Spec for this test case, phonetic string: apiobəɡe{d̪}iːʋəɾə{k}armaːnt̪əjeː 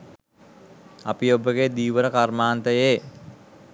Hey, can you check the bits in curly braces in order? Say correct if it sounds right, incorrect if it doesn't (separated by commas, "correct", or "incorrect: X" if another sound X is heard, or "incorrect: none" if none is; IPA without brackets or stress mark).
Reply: correct, correct